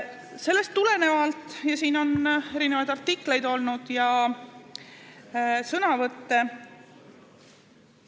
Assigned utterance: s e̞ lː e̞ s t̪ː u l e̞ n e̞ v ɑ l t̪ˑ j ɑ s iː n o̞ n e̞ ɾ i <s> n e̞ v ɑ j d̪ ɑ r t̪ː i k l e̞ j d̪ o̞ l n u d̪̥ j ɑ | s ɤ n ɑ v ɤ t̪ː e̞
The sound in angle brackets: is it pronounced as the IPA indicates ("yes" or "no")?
no